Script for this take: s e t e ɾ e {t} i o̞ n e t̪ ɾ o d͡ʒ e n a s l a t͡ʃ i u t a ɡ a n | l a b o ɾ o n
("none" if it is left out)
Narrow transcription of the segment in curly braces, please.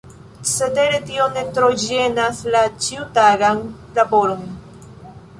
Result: t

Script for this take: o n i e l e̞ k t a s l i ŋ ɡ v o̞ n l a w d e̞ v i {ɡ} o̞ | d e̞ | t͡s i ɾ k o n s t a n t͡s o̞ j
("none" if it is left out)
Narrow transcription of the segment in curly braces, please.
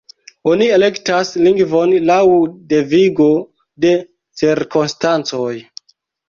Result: ɡ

